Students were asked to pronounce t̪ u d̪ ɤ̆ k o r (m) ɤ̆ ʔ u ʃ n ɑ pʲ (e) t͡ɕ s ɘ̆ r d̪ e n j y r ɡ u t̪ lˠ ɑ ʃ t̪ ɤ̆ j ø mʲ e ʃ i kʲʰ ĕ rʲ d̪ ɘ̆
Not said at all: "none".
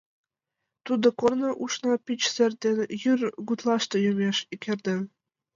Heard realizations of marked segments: n, i

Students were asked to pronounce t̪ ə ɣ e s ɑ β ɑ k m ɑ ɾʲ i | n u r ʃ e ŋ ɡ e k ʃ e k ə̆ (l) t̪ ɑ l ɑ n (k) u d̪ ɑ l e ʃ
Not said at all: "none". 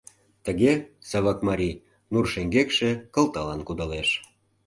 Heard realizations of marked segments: l, k

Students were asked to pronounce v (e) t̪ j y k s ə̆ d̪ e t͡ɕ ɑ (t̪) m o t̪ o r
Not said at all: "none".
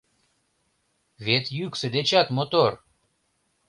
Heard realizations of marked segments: e, t̪

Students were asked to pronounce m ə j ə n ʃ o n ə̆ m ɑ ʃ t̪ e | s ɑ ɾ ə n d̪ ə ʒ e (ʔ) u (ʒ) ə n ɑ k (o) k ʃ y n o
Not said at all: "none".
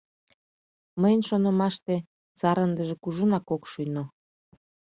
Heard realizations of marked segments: k, ʒ, o

